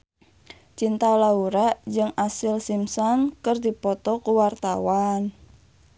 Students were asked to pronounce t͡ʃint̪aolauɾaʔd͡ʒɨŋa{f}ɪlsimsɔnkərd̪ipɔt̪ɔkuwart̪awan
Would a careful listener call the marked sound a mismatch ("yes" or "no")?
yes